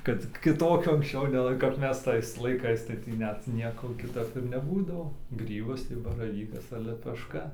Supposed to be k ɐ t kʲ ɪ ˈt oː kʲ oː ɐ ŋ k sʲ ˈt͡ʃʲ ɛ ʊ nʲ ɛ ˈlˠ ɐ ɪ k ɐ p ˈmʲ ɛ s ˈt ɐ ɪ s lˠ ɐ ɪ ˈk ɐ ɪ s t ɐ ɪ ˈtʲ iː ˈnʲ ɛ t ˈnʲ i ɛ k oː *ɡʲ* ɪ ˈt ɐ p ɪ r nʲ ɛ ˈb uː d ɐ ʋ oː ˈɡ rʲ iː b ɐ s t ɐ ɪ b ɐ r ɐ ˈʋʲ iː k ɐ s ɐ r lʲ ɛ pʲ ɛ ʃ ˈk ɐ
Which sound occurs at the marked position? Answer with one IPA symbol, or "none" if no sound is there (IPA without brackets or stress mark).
kʲ